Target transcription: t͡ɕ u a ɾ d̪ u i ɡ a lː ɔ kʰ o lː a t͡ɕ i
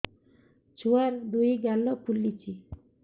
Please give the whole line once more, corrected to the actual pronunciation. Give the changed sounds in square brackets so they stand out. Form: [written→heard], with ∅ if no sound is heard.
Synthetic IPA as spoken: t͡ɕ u a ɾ d̪ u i ɡ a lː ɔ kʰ [o→u] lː [a→i] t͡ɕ i